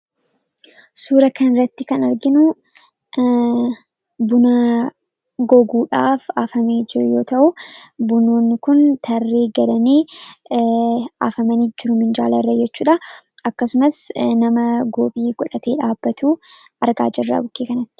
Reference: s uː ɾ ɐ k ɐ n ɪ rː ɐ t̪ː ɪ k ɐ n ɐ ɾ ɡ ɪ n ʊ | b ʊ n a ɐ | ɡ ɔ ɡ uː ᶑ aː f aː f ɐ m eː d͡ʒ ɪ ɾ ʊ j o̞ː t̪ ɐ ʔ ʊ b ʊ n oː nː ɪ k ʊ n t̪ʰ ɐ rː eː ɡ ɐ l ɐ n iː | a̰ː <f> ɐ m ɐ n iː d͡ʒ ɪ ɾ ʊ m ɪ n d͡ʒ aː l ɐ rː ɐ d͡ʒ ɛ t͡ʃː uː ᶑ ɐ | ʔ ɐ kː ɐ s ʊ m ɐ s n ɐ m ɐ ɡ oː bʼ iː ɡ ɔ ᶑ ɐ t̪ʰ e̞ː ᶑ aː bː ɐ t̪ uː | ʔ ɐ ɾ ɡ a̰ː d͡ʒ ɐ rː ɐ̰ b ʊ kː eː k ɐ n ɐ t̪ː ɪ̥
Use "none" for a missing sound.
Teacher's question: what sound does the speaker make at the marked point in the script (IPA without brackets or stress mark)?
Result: f